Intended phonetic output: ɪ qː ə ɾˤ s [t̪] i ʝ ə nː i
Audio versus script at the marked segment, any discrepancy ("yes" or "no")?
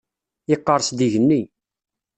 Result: yes